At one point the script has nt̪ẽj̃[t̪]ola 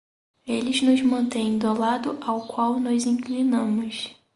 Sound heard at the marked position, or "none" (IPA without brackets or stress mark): d̪